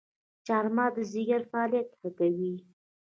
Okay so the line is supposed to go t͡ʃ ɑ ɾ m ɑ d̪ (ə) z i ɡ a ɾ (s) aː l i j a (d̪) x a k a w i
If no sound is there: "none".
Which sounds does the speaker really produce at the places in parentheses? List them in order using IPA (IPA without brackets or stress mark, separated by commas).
ə, f, t̪